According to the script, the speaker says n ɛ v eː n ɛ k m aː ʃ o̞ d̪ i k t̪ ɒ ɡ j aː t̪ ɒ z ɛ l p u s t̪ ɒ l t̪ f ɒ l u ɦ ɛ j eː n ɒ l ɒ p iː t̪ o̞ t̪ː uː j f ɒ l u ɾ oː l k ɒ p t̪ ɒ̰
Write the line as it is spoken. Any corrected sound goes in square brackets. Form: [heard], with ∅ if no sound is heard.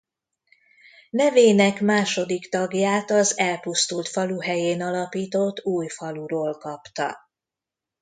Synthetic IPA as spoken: n ɛ v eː n ɛ k m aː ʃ o̞ d̪ i k t̪ ɒ ɡ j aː t̪ ɒ z ɛ l p u s t̪ [u] l t̪ f ɒ l u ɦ ɛ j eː n ɒ l ɒ p iː t̪ o̞ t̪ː uː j f ɒ l u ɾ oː l k ɒ p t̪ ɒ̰